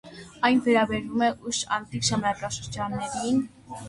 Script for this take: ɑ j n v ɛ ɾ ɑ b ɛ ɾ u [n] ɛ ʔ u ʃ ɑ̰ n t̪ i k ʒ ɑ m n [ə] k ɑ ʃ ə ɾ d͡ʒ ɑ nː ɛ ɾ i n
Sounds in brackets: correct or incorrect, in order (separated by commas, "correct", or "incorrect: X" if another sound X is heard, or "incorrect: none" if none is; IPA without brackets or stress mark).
incorrect: m, incorrect: ɑ